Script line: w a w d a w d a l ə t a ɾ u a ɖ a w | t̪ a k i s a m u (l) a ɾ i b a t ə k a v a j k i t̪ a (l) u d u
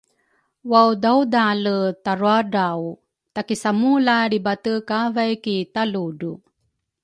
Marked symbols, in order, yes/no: yes, yes

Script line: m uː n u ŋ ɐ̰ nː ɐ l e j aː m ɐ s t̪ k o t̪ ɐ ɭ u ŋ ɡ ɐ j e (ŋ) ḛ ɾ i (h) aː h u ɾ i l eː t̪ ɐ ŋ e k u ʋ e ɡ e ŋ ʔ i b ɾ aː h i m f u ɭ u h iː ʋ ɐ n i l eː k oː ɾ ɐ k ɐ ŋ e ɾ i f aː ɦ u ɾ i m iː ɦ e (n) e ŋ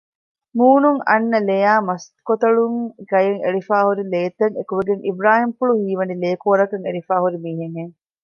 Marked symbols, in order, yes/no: yes, no, no

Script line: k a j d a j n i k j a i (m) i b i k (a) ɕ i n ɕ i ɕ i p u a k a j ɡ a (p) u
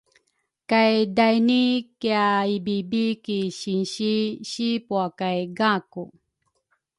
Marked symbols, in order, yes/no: no, no, no

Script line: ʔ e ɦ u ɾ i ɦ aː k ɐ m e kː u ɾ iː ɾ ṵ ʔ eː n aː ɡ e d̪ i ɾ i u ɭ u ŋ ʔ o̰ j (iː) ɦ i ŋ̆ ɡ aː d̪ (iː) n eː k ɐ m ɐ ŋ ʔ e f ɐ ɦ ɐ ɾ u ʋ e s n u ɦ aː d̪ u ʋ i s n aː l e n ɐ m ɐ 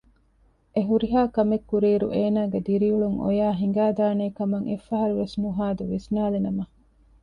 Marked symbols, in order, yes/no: no, no

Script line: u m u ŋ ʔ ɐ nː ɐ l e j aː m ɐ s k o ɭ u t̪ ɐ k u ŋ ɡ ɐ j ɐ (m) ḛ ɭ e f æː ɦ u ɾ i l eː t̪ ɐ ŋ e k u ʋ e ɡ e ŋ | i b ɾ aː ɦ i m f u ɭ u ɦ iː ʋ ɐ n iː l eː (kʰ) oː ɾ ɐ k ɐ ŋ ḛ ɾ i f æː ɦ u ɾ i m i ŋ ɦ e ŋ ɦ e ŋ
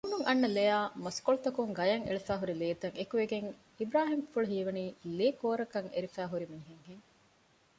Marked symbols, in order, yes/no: no, no

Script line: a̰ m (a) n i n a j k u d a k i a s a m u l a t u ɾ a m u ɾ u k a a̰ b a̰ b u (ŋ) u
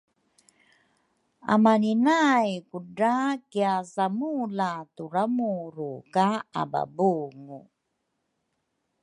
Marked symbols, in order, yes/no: yes, yes

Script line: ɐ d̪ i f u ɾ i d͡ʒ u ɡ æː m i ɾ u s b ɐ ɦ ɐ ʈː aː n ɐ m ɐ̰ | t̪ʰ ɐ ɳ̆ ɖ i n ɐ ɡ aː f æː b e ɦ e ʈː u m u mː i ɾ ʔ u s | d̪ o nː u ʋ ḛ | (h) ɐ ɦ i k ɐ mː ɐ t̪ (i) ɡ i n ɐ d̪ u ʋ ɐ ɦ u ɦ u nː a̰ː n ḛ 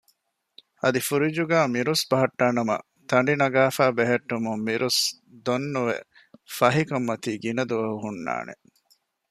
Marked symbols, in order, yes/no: no, no

